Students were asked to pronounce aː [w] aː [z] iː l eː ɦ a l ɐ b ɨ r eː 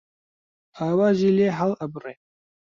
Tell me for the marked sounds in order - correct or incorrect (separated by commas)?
correct, incorrect